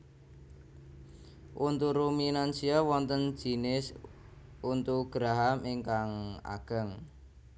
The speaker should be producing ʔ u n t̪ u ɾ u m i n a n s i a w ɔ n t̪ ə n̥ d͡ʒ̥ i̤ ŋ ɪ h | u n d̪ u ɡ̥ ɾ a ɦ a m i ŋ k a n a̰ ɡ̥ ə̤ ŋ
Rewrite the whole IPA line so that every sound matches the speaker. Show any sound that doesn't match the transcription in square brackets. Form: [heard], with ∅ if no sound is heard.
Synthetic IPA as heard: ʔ u n t̪ u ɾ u m i n a n s i a w ɔ n t̪ ə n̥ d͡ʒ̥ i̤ [n] ɪ [s] | u n [t̪] u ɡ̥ ɾ a ɦ a m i ŋ k a [ŋ] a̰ ɡ̥ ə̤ ŋ